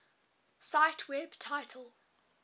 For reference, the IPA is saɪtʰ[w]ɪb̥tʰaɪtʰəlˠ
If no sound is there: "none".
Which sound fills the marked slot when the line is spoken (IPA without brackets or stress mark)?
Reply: w